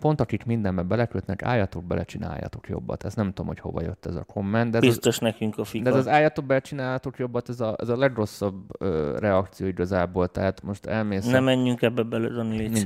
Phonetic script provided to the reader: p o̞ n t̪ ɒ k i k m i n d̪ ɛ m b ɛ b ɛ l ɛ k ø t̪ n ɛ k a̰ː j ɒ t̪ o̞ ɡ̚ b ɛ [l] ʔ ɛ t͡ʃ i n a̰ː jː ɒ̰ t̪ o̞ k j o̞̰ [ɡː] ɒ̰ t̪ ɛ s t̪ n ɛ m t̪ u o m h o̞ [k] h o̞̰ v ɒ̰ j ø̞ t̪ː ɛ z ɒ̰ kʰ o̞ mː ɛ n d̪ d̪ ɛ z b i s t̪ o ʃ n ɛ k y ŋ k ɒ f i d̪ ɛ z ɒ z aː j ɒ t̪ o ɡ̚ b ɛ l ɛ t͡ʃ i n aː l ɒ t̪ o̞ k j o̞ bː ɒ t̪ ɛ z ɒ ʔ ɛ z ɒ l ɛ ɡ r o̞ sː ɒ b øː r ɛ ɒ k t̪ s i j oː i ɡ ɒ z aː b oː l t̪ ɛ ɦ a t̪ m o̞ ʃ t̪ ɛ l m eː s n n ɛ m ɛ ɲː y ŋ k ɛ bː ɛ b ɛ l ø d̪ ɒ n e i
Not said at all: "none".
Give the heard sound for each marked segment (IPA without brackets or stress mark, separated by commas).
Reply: l, bː, c